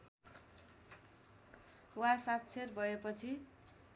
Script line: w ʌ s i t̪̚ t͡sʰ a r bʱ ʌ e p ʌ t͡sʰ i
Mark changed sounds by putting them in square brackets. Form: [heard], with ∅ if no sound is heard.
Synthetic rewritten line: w [a] s [a] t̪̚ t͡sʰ [e] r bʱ ʌ e p ʌ t͡sʰ i